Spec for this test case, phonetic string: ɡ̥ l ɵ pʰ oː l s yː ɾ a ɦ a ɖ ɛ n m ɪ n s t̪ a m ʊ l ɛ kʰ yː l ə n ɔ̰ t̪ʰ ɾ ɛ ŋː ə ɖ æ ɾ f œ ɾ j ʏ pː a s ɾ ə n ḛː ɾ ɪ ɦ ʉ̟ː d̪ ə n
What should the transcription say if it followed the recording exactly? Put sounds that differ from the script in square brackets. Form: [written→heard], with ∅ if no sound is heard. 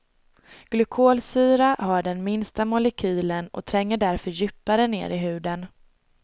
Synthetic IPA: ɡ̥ l ɵ [pʰ→kʰ] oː l s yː ɾ a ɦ a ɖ ɛ n m ɪ n s t̪ a m ʊ l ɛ kʰ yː l ə n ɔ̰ t̪ʰ ɾ ɛ ŋː ə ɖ æ ɾ f œ ɾ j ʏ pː a [s→∅] ɾ ə n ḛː ɾ ɪ ɦ ʉ̟ː d̪ ə n